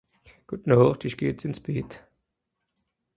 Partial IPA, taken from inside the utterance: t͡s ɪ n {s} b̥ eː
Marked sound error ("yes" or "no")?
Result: no